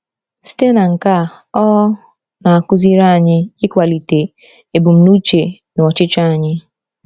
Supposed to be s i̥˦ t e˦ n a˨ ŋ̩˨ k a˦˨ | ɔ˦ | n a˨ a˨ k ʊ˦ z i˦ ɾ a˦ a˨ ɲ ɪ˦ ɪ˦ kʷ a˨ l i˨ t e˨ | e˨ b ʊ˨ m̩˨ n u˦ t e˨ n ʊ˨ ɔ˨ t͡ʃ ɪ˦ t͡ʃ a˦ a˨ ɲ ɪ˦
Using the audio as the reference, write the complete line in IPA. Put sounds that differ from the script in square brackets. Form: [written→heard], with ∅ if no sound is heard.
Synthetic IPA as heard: s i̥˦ t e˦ n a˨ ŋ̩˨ k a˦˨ | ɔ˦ | n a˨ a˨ k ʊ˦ z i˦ ɾ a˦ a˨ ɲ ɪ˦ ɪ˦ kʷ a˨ l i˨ t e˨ | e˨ b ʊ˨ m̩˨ n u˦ [t→t͡ʃ] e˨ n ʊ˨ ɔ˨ t͡ʃ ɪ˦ t͡ʃ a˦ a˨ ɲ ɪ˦